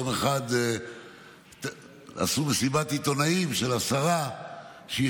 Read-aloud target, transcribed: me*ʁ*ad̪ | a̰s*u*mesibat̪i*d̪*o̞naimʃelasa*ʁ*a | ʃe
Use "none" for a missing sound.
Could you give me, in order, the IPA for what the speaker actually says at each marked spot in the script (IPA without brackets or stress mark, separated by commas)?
χ, u, t̪, ʁ